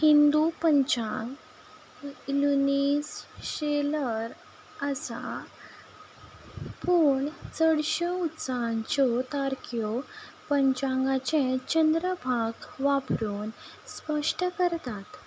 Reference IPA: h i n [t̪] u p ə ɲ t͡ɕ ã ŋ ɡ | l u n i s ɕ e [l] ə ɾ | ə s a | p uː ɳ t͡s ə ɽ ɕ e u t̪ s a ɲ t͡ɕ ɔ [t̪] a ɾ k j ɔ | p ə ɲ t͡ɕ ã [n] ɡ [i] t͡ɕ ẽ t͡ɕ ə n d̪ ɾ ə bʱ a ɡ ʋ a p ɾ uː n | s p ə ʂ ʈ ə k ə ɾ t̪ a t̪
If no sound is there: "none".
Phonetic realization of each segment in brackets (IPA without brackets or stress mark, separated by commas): d̪, l, t̪, ŋ, a